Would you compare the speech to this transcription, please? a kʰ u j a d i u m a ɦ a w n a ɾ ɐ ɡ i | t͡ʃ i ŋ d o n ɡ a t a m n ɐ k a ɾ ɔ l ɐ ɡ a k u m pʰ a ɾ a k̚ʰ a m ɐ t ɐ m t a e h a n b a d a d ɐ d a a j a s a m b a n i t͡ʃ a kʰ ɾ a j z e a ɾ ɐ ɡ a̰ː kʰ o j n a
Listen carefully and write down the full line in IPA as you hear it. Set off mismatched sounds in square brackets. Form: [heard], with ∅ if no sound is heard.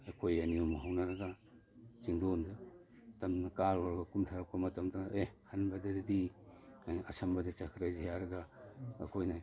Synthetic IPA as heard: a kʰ [o] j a [n] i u m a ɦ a w n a ɾ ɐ ɡ [a] | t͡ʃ i ŋ d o n [d] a t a m n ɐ k a ɾ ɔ [ɾ] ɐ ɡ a k u m [tʰ] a ɾ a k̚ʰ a m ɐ t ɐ m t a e h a n b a d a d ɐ d [i] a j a s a m b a [d] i t͡ʃ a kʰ ɾ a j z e a ɾ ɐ ɡ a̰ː kʰ o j n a